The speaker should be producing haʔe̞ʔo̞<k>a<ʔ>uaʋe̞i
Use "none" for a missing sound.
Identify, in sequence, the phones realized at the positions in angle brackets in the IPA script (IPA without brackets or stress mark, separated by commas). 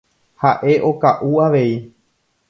k, ʔ